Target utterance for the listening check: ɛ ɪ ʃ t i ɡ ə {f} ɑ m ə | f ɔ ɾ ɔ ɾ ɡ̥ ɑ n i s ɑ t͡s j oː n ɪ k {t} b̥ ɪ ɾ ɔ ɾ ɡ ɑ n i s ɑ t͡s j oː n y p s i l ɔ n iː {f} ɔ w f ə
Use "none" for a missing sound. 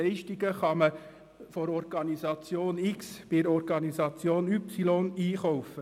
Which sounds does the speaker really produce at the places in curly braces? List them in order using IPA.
χ, s, χ

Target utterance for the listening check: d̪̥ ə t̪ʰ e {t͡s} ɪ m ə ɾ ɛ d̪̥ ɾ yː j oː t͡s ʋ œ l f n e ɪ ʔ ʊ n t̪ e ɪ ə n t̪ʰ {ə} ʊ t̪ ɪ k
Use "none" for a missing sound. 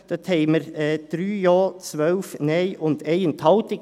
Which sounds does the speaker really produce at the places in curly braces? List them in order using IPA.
none, ɑ

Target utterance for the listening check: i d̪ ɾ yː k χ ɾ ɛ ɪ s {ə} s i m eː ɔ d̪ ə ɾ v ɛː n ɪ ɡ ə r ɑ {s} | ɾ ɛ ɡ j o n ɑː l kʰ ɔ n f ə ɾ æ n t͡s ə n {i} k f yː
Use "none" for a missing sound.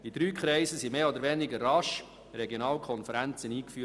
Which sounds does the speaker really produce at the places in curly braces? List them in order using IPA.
ə, ʃ, iː

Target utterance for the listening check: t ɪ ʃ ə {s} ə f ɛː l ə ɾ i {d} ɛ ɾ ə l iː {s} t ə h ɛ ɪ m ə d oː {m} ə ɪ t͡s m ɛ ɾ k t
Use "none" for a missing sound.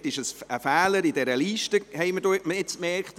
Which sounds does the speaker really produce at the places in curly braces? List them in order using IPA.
s, d, ʃ, m

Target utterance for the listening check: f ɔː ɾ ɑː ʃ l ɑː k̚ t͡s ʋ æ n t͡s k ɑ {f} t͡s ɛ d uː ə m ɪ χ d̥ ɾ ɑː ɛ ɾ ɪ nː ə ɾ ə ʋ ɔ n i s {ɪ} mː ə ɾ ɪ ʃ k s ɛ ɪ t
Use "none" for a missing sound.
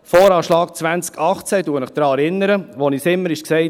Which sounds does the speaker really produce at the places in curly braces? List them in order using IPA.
χ, ɪ

